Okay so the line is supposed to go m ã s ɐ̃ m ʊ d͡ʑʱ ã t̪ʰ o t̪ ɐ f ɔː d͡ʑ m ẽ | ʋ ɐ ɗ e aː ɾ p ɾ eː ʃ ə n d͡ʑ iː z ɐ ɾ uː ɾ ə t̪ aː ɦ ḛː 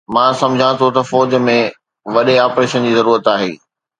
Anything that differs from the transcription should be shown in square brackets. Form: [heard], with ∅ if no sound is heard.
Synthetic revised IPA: m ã s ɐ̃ m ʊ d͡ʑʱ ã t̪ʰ o t̪ ɐ f ɔː d͡ʑ m ẽ | ʋ ɐ ɗ e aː [∅] p ɾ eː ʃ ə n d͡ʑ iː z ɐ ɾ uː ɾ ə t̪ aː ɦ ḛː